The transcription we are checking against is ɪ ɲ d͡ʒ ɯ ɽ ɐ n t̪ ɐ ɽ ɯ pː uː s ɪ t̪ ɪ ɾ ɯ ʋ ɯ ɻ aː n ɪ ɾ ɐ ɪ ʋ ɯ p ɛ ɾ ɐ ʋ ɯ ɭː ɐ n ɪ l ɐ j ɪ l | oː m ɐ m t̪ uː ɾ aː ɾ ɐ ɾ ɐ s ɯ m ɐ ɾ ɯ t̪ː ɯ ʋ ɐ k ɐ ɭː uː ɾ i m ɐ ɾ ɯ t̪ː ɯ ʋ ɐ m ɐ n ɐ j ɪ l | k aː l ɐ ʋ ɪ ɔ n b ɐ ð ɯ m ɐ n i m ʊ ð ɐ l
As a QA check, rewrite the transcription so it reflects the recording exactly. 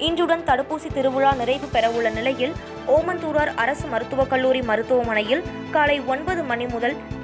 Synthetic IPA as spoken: ɪ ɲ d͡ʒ ɯ ɽ ɐ n t̪ ɐ ɽ ɯ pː uː s i t̪ ɪ ɾ ɯ ʋ ɯ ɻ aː n ɪ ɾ ɐ ɪ ʋ ɯ p ɛ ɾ ɐ ʋ ɯ ɭː ɐ n ɪ l ɐ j ɪ l | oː m ɐ n t̪ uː ɾ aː ɾ ɐ ɾ ɐ s ɯ m ɐ ɾ ɯ t̪ː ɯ ʋ ɐ k ɐ ɭː uː ɾ i m ɐ ɾ ɯ t̪ː ɯ ʋ ɐ m ɐ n ɐ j ɪ l | k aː l ɐ ɪ ɔ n b ɐ ð ɯ m ɐ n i m ʊ ð ɐ l